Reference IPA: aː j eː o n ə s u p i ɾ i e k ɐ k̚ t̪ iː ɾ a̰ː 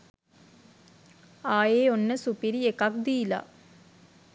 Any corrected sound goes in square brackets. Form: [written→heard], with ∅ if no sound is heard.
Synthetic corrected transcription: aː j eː o [n→nː] ə s u p i ɾ i e k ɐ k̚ [t̪→d̪] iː [ɾ→l] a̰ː